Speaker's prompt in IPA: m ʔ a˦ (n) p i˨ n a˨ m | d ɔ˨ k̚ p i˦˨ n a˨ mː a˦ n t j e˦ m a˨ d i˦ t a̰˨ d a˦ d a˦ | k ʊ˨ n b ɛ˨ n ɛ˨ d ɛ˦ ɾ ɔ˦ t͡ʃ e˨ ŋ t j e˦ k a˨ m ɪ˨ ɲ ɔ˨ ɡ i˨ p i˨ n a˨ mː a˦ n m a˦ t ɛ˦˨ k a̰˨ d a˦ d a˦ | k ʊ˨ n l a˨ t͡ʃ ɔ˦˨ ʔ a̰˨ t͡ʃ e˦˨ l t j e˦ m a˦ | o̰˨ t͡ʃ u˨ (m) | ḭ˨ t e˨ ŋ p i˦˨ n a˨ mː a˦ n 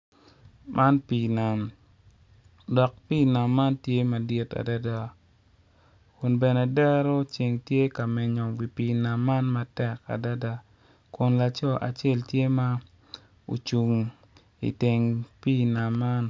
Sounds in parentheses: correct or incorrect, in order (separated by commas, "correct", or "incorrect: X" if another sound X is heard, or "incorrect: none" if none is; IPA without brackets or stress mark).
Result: correct, incorrect: ŋ